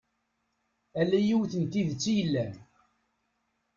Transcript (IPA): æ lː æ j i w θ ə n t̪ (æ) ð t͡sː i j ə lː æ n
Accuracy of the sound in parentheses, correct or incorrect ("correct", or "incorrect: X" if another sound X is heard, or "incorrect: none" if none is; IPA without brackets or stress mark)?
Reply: incorrect: i